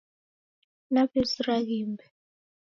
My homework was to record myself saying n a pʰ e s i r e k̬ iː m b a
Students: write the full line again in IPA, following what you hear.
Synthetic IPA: n a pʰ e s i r a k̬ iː m b ɛ